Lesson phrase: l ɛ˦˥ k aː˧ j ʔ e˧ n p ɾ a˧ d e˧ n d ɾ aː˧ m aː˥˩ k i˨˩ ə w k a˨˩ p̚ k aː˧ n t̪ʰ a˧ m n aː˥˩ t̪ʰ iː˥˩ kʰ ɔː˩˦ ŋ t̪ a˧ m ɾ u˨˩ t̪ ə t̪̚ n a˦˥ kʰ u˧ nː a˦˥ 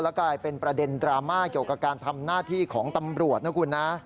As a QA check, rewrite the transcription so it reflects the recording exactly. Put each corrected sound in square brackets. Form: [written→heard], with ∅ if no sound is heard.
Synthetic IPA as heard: l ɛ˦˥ k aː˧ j [ʔ→p] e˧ n p ɾ a˧ d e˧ n d ɾ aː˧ m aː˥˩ k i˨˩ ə w k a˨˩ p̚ k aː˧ n t̪ʰ a˧ m n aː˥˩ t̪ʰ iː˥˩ kʰ ɔː˩˦ ŋ t̪ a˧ m ɾ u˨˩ [t̪→∅] ə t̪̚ n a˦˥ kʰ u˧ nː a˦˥